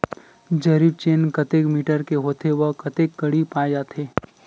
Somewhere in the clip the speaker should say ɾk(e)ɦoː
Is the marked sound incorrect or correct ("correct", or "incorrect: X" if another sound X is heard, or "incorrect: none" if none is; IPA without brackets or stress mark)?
correct